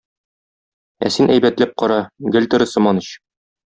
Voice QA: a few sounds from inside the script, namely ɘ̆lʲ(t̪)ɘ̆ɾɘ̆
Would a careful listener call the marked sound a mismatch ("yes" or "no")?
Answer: no